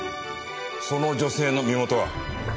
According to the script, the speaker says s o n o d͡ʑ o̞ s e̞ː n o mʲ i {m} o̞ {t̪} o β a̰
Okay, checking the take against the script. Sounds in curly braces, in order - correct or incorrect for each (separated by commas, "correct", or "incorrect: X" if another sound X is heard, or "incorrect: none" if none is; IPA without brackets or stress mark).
correct, correct